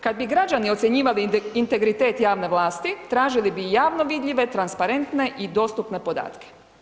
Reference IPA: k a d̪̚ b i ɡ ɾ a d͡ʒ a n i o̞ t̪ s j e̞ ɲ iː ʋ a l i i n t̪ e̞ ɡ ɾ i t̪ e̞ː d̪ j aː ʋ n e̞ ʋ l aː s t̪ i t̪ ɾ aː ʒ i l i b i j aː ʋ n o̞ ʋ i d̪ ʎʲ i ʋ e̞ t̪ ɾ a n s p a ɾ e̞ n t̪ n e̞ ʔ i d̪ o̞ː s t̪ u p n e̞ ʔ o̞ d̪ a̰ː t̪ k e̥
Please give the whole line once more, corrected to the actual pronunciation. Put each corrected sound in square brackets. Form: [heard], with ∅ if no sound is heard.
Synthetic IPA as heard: k a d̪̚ b i ɡ ɾ a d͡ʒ a n i o̞ t̪ s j e̞ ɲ iː ʋ a l i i n t̪ e̞ ɡ ɾ i t̪ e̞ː [t̪] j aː ʋ n e̞ ʋ l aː s t̪ i t̪ ɾ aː ʒ i l i b i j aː ʋ n o̞ ʋ i d̪ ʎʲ i ʋ e̞ t̪ ɾ a n s p a ɾ e̞ n t̪ n e̞ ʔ i d̪ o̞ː s t̪ u p n e̞ [p] o̞ d̪ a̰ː t̪ k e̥